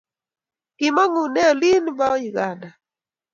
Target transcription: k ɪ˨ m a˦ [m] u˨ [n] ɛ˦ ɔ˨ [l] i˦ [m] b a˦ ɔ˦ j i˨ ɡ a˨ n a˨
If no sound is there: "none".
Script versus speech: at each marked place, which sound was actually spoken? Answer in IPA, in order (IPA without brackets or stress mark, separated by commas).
ŋ, n, l, n